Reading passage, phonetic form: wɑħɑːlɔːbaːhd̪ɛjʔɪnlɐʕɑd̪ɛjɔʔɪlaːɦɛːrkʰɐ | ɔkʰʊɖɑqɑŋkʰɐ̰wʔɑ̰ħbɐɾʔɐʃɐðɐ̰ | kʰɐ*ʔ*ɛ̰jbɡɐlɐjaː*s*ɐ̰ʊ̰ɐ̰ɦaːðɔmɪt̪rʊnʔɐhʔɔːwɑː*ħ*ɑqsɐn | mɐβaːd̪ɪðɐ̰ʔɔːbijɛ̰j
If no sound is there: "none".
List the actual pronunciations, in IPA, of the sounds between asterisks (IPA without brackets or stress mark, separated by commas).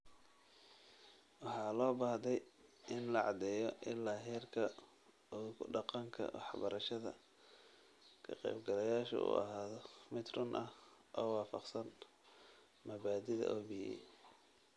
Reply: q, ʃ, f